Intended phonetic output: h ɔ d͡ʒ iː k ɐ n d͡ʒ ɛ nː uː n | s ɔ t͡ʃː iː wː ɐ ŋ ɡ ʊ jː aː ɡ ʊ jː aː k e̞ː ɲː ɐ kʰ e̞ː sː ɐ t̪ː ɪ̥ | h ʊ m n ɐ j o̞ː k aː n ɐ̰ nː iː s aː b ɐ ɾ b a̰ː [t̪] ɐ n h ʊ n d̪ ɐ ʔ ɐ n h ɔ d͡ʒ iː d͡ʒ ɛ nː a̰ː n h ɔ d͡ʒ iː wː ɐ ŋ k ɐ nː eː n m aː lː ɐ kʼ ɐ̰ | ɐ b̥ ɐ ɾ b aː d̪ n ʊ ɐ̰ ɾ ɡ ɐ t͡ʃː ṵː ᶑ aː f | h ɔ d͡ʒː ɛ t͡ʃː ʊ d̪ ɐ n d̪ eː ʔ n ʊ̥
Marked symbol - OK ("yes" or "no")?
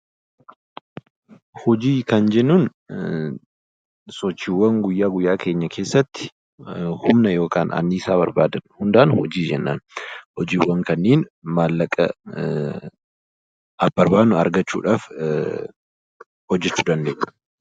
no